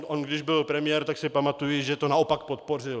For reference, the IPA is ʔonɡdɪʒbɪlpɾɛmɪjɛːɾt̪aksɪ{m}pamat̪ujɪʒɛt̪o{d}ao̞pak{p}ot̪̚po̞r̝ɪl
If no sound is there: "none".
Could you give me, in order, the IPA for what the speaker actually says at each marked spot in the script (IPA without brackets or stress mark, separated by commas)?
none, n, p